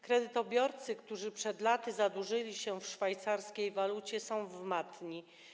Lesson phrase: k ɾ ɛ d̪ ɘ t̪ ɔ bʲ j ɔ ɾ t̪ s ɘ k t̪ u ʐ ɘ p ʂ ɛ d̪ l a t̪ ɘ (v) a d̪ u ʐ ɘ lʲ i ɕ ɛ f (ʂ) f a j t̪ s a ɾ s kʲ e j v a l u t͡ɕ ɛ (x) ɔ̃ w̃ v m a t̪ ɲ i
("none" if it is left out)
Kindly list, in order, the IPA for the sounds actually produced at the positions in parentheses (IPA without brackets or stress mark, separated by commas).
z, ʂ, s